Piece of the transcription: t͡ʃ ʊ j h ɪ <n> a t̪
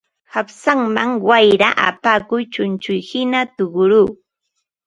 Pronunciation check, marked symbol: correct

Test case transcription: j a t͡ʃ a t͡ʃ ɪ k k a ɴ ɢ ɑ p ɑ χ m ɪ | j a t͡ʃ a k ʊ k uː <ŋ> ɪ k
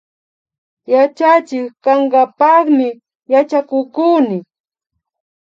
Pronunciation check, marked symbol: incorrect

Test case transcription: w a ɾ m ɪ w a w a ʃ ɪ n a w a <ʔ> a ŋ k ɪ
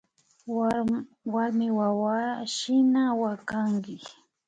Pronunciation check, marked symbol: incorrect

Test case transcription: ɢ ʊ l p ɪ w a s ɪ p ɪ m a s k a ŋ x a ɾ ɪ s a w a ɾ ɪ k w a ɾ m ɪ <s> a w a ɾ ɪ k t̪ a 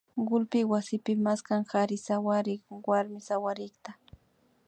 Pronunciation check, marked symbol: correct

